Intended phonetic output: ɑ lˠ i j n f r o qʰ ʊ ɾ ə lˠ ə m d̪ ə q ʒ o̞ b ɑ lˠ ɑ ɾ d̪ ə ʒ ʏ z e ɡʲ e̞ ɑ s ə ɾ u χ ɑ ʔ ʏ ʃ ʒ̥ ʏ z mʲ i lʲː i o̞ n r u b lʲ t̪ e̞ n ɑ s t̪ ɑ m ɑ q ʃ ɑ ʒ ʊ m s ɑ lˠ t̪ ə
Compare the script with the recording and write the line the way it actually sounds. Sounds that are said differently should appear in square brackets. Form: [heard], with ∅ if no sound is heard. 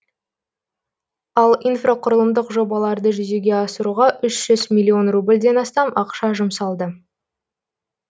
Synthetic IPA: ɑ lˠ i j n f r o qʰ ʊ ɾ ə lˠ ə m d̪ ə q ʒ o̞ b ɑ lˠ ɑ ɾ d̪ ə ʒ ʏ z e ɡʲ e̞ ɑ s ə ɾ u [ʁ] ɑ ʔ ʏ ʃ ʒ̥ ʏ z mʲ i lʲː i o̞ n r u b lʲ [d̪] e̞ n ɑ s t̪ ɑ m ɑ q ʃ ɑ ʒ ʊ m s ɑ lˠ [d̪] ə